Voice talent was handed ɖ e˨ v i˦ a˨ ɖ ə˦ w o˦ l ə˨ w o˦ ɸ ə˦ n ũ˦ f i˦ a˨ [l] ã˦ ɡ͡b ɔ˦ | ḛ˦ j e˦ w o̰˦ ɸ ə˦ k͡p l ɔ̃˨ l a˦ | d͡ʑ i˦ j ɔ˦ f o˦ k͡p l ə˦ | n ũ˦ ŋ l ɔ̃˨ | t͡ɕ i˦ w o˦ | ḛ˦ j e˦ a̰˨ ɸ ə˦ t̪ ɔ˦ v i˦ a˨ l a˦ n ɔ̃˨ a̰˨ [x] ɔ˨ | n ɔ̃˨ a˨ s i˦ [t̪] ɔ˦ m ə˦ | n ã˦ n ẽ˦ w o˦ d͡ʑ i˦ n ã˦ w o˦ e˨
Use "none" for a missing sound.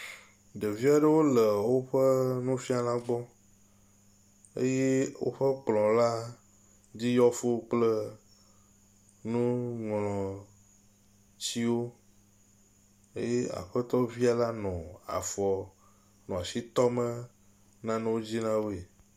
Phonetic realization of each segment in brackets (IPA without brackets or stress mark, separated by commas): l, f, t̪